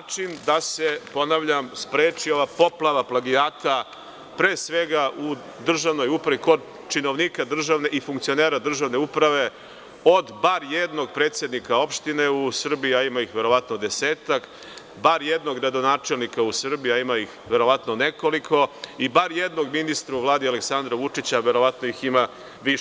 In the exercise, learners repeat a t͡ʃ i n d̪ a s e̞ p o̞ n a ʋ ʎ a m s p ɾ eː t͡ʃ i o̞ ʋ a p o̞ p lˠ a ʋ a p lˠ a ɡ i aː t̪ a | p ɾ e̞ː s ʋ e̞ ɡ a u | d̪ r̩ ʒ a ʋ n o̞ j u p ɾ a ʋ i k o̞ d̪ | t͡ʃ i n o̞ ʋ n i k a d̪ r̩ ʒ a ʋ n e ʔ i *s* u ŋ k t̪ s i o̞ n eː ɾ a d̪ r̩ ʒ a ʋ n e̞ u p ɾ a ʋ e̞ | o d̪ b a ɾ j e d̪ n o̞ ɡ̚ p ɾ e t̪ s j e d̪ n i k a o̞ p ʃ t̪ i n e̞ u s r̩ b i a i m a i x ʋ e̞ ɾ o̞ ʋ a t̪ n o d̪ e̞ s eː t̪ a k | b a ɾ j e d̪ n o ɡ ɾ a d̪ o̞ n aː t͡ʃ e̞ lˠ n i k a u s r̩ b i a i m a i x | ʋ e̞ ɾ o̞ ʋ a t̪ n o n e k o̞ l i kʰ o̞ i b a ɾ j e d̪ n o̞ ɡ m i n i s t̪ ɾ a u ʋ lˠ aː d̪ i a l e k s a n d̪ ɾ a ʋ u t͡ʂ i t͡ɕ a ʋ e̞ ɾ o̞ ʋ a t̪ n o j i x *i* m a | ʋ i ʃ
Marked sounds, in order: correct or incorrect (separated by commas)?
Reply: incorrect, correct